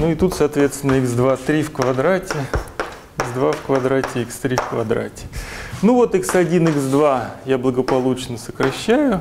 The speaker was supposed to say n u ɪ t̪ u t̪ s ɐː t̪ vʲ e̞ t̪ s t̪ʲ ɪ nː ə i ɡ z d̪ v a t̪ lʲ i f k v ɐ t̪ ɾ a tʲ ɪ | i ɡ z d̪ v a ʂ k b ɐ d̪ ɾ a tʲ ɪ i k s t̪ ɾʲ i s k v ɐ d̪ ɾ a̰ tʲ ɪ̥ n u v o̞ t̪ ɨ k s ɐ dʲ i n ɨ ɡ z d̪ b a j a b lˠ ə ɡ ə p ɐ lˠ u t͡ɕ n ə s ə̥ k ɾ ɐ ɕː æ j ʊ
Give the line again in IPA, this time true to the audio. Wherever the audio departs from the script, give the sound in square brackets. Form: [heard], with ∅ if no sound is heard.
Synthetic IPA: n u ɪ t̪ u t̪ s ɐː t̪ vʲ e̞ t̪ s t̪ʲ ɪ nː ə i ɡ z d̪ v a t̪ [ɾʲ] i f k v ɐ [d̪] ɾ a tʲ ɪ | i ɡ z d̪ v a [f] k [v] ɐ d̪ ɾ a tʲ ɪ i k s t̪ ɾʲ i [f] k v ɐ d̪ ɾ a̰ tʲ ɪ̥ n u v o̞ t̪ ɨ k s ɐ dʲ i n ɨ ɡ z d̪ [v] a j a b lˠ ə ɡ ə p ɐ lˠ u t͡ɕ n ə s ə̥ k ɾ ɐ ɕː æ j ʊ

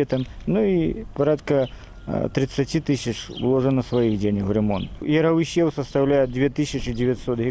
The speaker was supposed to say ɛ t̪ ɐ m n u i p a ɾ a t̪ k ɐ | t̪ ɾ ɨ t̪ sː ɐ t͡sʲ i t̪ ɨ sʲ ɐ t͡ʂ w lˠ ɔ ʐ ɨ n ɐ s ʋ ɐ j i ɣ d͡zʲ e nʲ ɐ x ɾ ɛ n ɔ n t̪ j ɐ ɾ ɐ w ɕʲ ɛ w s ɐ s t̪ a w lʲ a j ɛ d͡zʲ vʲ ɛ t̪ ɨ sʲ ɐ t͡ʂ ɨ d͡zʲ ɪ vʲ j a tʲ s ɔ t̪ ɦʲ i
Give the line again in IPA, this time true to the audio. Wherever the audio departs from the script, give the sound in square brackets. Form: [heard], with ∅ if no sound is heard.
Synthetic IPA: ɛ t̪ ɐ m n u i p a ɾ a t̪ k ɐ | t̪ ɾ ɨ t̪ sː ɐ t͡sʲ i t̪ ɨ sʲ ɐ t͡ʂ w lˠ ɔ ʐ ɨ n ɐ s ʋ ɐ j i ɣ d͡zʲ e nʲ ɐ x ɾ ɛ [m] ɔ n t̪ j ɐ ɾ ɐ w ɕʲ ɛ w s ɐ s t̪ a w lʲ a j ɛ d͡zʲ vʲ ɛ t̪ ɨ sʲ ɐ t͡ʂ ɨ d͡zʲ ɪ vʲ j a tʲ s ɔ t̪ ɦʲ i

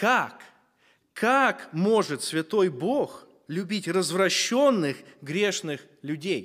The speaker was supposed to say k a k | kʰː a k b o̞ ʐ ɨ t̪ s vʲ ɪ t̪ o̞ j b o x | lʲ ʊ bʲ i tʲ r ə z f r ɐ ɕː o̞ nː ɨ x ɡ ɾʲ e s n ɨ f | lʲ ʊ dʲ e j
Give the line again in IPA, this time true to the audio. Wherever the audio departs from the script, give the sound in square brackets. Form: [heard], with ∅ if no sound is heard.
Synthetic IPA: k a k | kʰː a k [m] o̞ ʐ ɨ t̪ s vʲ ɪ t̪ o̞ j b o x | lʲ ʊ bʲ i tʲ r ə z [v] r ɐ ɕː o̞ nː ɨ x ɡ ɾʲ e [ʂ] n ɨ [x] | lʲ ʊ dʲ e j

